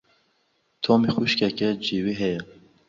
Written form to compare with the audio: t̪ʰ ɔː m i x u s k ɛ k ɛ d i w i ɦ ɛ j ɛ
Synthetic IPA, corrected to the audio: t̪ʰ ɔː m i x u ʃ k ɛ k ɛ d͡ʒ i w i ɦ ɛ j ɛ